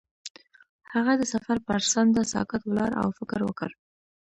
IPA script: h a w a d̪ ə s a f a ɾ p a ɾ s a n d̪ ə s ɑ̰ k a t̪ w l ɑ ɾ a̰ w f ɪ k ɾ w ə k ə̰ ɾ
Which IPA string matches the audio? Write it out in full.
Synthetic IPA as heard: h a ɣ a d̪ ə s a f a ɾ p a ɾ s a n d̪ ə s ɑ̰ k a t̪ w l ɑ ɾ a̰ w f ɪ k ɾ w ə k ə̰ ɾ